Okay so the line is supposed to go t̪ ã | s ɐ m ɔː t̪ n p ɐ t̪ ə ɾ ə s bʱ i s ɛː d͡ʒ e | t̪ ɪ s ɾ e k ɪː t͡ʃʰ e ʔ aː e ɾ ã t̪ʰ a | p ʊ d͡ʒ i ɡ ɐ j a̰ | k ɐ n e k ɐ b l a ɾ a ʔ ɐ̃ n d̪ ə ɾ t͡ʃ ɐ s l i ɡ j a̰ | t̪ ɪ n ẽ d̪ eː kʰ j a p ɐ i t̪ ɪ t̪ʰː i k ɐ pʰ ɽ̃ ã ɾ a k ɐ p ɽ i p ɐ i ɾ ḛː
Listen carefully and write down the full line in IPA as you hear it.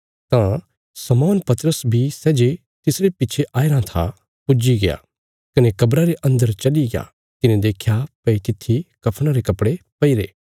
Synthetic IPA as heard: t̪ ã | s ɐ m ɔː n p ɐ t̪ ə ɾ ə s bʱ i s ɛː d͡ʒ e | t̪ ɪ s ɾ e p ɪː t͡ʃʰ e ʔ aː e ɾ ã t̪ʰ a | p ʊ d͡ʒ i ɡ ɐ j a̰ | k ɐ n e k ɐ b ɾ a ɾ e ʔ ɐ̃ n d̪ ə ɾ t͡ʃ ɐ l i ɡ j a̰ | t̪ ɪ n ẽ d̪ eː kʰ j a p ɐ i t̪ ɪ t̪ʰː i k ɐ pʰ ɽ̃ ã ɾ e k ɐ p ɽ e p ɐ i ɾ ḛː